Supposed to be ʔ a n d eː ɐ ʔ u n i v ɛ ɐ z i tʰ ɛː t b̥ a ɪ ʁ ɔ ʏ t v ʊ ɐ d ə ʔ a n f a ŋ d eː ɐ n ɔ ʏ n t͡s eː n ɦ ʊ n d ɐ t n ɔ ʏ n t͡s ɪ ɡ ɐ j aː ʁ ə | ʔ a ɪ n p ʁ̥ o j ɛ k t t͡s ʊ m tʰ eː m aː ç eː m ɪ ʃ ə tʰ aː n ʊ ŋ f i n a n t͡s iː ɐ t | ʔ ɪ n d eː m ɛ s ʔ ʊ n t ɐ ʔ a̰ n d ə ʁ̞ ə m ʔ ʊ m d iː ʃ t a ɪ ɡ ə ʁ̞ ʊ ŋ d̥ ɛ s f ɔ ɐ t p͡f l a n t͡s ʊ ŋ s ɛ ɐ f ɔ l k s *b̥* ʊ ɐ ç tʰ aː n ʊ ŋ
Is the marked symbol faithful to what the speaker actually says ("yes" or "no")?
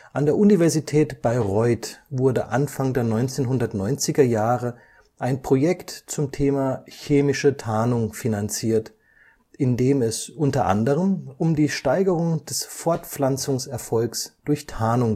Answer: no